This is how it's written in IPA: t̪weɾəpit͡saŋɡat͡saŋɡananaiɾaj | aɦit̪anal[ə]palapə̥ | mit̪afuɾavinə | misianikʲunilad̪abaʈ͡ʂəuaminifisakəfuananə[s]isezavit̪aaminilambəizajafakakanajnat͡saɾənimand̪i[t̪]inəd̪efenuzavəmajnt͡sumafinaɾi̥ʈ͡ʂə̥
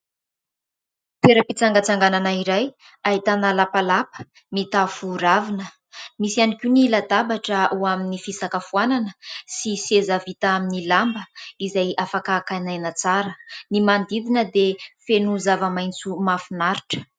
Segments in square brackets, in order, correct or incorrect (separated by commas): incorrect, correct, incorrect